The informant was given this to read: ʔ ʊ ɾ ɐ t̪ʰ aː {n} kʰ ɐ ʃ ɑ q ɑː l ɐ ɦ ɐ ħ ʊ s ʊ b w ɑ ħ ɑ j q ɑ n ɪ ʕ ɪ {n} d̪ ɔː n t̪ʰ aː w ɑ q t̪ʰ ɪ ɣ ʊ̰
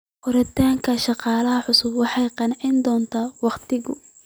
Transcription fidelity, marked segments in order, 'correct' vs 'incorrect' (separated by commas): incorrect, correct